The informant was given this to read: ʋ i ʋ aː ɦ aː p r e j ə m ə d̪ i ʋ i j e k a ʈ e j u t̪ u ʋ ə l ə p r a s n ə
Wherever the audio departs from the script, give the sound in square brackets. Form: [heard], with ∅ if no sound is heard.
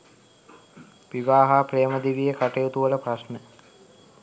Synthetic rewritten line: ʋ i ʋ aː ɦ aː p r e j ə m ə d̪ i ʋ i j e k a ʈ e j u t̪ u ʋ ə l ə p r a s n ə